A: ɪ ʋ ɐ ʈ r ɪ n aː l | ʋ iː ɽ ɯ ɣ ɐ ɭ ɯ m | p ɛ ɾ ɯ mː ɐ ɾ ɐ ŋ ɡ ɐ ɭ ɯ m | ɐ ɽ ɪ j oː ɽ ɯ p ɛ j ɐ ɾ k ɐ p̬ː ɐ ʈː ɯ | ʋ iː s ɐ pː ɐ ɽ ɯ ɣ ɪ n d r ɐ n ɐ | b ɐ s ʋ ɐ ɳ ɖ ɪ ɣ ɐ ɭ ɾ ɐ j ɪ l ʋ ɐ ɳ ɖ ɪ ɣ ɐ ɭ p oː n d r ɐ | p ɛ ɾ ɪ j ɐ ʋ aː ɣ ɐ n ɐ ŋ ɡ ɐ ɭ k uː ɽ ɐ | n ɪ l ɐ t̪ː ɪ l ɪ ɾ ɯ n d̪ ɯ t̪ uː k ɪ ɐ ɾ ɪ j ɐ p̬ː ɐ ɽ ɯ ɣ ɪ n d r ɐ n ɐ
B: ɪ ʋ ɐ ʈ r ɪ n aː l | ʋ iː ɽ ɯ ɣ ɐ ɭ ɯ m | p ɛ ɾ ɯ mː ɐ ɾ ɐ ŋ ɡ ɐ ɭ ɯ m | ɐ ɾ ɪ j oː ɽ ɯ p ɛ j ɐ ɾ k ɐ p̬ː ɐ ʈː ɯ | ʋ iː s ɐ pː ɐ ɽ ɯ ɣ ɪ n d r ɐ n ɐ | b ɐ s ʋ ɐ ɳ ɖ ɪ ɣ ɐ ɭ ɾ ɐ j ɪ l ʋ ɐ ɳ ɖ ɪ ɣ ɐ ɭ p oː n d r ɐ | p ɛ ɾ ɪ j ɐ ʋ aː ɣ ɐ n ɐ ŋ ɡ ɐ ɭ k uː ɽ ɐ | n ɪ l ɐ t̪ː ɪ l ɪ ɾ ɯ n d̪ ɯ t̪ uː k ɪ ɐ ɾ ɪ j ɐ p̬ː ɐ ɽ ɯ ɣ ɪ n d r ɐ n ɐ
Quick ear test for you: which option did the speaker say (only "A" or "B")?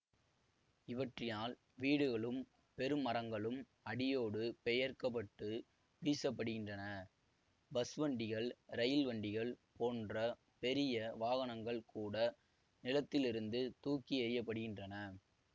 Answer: A